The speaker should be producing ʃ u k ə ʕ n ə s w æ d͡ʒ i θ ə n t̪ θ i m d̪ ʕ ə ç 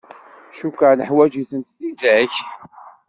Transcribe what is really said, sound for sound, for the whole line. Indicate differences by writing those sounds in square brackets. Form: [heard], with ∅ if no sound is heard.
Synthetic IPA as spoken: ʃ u k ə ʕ n ə [ħ] w æ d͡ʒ i θ ə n t̪ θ i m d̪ ʕ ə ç